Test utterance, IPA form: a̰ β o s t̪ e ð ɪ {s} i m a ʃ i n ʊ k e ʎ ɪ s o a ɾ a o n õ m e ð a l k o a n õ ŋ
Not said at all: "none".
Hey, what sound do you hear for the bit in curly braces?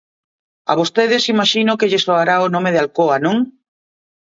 s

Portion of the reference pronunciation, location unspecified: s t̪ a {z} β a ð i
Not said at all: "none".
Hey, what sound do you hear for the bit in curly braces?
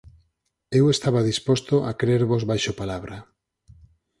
none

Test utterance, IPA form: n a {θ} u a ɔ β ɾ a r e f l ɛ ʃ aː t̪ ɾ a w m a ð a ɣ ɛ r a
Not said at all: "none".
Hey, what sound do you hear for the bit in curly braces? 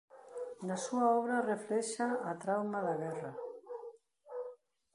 s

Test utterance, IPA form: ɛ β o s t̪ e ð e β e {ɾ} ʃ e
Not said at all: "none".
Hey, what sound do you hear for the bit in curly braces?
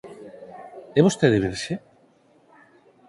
ɾ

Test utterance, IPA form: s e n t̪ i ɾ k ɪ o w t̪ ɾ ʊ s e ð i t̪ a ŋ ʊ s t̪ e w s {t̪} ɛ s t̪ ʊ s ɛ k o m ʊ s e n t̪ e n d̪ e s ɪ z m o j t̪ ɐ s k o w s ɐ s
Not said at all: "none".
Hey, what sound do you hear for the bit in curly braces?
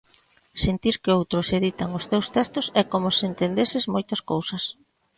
t̪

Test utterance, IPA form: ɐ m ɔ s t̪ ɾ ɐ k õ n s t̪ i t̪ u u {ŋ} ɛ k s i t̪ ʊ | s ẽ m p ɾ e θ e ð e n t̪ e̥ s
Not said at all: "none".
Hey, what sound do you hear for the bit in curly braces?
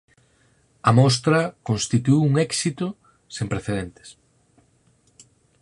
ŋ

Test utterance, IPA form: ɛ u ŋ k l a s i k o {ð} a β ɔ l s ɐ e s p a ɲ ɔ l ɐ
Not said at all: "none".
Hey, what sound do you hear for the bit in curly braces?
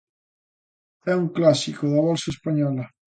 ð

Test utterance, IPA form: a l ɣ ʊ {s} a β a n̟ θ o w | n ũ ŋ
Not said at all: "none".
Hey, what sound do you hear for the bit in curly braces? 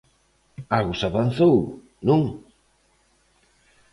s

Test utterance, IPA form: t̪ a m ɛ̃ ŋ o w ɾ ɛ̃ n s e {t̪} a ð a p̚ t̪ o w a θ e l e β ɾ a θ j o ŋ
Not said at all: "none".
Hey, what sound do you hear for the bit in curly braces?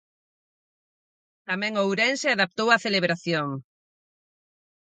none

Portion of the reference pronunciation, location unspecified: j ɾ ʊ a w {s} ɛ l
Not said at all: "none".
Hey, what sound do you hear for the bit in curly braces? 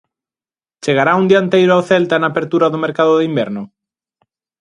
θ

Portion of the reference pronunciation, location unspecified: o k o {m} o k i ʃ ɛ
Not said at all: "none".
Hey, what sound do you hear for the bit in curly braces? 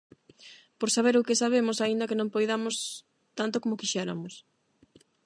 m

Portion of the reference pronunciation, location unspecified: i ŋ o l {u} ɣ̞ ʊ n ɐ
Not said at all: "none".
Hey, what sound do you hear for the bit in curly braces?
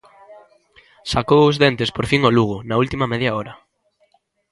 u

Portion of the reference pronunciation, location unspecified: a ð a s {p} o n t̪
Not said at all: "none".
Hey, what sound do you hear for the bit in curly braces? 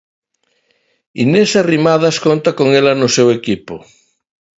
k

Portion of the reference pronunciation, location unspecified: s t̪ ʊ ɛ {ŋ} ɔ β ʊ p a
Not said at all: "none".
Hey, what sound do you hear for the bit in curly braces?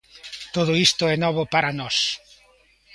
n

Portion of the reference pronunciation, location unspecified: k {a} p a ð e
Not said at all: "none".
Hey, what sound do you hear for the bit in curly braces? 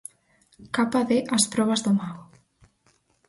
a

